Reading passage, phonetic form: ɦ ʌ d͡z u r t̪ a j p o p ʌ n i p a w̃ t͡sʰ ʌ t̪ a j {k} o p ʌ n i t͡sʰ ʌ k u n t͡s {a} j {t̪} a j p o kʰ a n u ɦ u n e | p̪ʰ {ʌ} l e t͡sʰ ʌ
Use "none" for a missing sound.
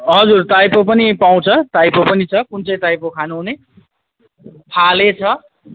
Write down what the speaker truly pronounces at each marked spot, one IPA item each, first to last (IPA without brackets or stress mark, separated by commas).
p, ʌ, t̪, a